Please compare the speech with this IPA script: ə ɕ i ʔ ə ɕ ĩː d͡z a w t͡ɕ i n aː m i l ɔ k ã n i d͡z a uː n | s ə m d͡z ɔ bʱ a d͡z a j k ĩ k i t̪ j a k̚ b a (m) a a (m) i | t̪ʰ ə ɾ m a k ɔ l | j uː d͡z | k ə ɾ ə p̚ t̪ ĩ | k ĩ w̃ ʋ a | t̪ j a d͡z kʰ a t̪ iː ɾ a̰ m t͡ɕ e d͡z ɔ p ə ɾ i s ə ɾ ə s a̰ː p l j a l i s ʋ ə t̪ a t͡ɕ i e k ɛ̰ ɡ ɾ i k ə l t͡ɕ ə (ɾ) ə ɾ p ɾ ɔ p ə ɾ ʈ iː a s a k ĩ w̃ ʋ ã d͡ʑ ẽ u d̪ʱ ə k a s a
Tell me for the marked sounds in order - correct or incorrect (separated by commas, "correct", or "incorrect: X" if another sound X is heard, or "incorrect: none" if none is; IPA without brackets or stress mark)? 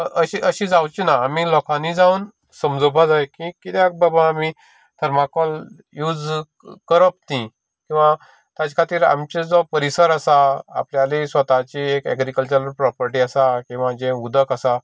incorrect: b, correct, correct